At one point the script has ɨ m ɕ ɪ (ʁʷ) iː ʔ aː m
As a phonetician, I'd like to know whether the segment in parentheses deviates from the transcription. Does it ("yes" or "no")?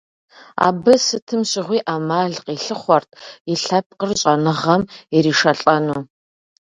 no